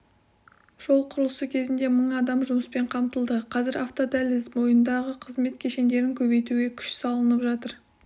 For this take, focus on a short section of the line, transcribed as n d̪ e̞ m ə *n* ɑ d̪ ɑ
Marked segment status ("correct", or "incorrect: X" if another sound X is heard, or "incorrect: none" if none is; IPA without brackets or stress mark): incorrect: ɴ